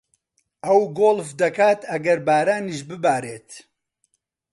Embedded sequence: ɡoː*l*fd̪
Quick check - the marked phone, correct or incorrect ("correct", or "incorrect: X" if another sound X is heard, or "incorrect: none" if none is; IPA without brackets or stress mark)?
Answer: correct